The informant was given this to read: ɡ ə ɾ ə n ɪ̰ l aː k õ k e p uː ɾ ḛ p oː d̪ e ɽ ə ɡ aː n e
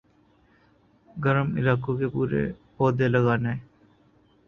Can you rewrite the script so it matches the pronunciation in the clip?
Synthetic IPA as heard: ɡ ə ɾ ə m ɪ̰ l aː k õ k e p uː ɾ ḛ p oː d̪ e l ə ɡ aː n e